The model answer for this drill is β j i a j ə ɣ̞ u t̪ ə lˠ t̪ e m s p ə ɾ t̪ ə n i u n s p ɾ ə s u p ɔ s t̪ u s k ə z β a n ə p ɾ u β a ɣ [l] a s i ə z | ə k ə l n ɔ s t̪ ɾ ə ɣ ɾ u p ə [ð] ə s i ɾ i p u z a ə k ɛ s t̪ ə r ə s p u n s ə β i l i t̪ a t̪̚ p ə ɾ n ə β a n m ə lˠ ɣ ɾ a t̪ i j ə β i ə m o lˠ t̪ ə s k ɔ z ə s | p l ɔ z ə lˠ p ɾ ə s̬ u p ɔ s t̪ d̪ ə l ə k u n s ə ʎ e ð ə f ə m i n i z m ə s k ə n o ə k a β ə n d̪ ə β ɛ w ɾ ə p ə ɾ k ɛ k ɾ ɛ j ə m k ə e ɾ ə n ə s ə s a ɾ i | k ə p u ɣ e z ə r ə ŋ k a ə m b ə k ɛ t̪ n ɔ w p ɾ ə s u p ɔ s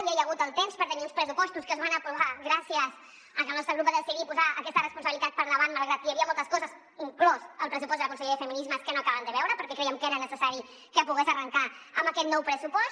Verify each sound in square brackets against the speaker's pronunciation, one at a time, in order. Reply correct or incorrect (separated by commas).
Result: incorrect, correct